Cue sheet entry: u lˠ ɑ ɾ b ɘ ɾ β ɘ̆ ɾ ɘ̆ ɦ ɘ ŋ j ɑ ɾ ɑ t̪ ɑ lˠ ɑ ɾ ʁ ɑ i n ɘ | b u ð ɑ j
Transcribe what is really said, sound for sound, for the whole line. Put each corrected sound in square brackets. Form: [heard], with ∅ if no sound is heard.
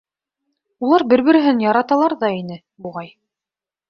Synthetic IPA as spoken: u lˠ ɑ ɾ b ɘ ɾ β ɘ̆ ɾ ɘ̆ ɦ ɘ [n] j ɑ ɾ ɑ t̪ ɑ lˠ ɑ ɾ [ð] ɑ i n ɘ | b u [ʁ] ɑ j